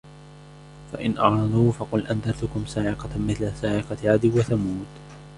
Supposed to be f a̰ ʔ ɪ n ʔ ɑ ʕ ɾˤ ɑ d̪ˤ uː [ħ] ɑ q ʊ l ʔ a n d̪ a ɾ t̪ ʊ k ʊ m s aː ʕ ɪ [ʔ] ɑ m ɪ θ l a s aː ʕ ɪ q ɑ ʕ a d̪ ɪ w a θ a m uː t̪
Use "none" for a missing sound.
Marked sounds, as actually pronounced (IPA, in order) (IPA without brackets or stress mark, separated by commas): f, q